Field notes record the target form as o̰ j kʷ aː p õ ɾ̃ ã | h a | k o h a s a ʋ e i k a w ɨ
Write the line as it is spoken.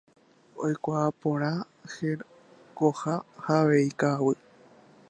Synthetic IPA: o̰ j kʷ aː p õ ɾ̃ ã | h e | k o h a h a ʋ e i k a w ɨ